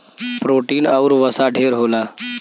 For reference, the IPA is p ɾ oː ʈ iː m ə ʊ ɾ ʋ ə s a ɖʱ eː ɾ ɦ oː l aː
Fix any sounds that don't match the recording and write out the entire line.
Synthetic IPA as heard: p ɾ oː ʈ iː n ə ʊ ɾ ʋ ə s a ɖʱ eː ɾ ɦ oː l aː